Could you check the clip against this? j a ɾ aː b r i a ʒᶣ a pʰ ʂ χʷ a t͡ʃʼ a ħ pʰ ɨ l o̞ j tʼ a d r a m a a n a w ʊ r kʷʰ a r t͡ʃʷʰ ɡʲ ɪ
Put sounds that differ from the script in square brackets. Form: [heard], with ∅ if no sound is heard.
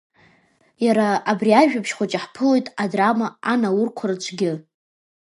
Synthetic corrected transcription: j a ɾ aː b r i a ʒᶣ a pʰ [ʃ] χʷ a t͡ʃʼ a ħ pʰ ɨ l o̞ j tʼ a d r a m a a n a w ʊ r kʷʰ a r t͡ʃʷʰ ɡʲ ɪ